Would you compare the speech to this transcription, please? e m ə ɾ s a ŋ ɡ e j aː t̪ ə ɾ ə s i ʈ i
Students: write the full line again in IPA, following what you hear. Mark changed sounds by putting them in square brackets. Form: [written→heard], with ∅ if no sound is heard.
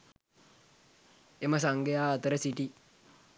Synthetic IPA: e m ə [ɾ→∅] s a ŋ ɡ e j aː t̪ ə ɾ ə s i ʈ i